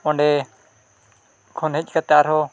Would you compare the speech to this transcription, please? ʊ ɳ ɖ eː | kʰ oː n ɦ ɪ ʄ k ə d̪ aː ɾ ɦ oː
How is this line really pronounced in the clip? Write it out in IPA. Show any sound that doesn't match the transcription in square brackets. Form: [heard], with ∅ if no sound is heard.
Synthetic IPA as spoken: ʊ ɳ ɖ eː | kʰ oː n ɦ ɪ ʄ k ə [t̪] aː ɾ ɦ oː

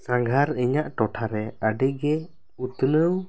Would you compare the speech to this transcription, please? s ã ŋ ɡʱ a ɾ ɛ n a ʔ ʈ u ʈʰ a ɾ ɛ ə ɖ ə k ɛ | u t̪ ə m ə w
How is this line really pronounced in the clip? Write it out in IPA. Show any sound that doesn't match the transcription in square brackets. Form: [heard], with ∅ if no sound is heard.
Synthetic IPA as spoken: s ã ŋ ɡʱ a ɾ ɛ [ɲ] a ʔ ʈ [ɔ] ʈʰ a ɾ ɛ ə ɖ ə [ɡ] ɛ | u t̪ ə [n] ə w

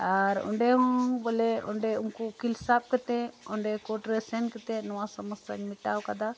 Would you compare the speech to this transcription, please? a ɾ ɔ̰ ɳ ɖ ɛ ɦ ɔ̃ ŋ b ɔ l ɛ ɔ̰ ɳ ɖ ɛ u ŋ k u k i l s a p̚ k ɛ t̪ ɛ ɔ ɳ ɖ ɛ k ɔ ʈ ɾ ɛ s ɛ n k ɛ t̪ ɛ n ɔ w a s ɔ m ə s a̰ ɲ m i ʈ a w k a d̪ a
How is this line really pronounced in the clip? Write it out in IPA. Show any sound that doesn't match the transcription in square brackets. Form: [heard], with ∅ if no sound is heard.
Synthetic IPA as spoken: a ɾ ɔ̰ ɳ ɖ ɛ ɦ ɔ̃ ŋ b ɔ l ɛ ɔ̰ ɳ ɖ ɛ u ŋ k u k i l s a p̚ k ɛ t̪ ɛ ɔ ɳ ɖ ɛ k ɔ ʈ ɾ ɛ s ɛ n k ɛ t̪ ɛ n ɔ w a s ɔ m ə s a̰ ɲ m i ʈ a w k a d̪ a

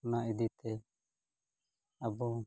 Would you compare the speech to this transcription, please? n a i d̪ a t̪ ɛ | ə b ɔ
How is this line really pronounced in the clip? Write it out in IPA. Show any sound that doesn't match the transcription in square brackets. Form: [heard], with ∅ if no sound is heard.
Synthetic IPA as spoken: n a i d̪ [i] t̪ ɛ | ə b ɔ

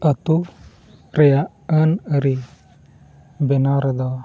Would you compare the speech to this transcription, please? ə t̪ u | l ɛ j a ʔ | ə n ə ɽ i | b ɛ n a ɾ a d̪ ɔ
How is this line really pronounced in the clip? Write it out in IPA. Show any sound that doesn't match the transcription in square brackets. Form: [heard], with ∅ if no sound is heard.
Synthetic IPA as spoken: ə t̪ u | [ɾ] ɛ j a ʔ | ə n ə [ɾ] i | b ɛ n a ɾ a d̪ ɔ

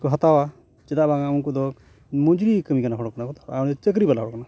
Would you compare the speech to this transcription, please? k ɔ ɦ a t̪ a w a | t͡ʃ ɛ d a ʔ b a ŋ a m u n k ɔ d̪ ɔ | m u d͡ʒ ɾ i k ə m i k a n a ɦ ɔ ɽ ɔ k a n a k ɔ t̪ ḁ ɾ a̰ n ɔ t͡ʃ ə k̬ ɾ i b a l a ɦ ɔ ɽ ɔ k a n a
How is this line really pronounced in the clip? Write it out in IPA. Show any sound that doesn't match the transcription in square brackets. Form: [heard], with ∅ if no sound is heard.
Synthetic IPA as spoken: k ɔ ɦ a t̪ a w a | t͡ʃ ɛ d a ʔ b a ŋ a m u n k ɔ d̪ ɔ | m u d͡ʒ ɾ i k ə m i k a n a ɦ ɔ ɽ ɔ k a n a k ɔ t̪ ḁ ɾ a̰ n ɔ t͡ʃ ə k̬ ɾ i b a l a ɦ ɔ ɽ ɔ k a n a

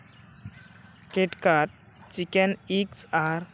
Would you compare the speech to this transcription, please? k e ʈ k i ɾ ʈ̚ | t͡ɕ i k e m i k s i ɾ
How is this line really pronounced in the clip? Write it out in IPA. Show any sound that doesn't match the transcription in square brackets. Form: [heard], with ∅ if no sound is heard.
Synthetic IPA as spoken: k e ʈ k [a] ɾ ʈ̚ | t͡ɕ i k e [n] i k s [a] ɾ

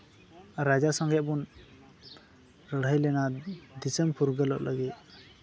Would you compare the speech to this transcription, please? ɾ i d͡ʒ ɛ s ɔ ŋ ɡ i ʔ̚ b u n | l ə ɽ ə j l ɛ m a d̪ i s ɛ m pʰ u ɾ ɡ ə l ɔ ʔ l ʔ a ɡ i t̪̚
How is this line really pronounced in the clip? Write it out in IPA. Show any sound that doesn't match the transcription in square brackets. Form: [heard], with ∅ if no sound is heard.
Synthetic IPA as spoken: ɾ [a] d͡ʒ [a] s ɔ ŋ ɡ [ɛ] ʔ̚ b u n | [ɾ] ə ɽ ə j l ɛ [n] a d̪ i s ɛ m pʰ u ɾ ɡ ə l ɔ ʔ l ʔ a ɡ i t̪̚

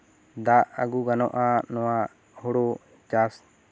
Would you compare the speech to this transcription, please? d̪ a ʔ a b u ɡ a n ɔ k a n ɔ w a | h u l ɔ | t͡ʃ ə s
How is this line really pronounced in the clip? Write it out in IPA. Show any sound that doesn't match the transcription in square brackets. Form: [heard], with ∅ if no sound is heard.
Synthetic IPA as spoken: d̪ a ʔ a [ɡ] u ɡ a n ɔ [ʔ] a n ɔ w a | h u [ɽ] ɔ | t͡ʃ [a] s

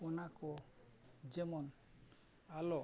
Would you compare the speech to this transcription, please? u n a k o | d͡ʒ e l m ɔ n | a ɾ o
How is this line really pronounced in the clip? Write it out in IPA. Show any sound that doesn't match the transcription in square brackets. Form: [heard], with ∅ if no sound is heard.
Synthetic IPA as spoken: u n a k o | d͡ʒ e [∅] m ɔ n | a [l] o

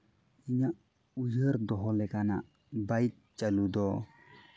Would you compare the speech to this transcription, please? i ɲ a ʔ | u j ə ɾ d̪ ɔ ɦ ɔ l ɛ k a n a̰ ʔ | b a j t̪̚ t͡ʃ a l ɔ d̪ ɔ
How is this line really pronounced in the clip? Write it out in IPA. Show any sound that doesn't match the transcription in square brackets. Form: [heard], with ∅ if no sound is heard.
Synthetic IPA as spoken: i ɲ a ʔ | u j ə ɾ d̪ ɔ ɦ ɔ l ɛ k a n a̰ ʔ | b a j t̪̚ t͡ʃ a l [u] d̪ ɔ

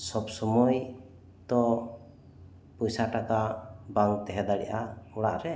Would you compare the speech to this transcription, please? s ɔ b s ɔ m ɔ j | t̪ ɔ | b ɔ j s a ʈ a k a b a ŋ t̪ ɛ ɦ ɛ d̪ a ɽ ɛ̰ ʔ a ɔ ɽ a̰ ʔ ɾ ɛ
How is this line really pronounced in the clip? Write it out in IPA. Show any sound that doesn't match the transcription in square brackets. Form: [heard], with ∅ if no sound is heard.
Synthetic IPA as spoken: s ɔ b s ɔ m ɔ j | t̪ ɔ | [p] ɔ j s a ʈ a k a b a ŋ t̪ ɛ ɦ ɛ d̪ a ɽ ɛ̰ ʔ a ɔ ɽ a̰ ʔ ɾ ɛ

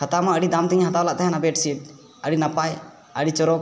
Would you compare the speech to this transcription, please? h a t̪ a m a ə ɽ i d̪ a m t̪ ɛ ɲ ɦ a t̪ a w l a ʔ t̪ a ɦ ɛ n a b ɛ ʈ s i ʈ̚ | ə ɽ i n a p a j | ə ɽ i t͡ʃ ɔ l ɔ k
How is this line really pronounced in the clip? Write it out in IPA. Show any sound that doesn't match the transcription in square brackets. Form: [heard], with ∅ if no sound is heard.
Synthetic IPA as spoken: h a t̪ a m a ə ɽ i d̪ a m t̪ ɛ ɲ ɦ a t̪ a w l a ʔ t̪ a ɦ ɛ n a b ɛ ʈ s i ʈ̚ | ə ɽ i n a p a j | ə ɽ i t͡ʃ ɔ [ɾ] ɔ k

